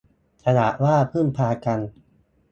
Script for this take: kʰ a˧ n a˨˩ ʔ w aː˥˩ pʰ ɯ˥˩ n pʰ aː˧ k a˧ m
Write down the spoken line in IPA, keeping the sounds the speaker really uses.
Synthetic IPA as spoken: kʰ a˧ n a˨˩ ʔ w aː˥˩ pʰ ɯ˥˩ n pʰ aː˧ k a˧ n